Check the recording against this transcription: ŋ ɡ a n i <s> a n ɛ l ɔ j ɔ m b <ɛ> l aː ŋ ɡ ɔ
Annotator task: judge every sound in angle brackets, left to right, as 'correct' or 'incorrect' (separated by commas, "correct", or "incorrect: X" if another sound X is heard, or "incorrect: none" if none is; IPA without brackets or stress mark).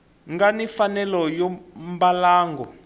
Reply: incorrect: f, incorrect: a